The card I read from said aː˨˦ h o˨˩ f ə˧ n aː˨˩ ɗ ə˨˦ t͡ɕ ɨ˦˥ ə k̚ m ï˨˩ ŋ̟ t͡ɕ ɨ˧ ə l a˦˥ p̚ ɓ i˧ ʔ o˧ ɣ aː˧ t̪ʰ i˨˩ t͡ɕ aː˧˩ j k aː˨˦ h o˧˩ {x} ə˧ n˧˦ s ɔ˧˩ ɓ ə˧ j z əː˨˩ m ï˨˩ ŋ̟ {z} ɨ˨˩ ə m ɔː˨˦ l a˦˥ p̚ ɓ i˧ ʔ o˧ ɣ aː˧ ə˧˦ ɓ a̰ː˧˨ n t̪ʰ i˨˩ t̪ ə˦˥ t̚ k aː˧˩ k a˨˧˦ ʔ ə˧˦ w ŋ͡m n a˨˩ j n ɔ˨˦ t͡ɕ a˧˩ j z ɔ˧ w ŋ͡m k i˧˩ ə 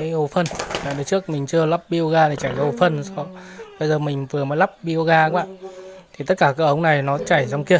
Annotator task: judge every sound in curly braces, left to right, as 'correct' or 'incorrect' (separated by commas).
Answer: incorrect, incorrect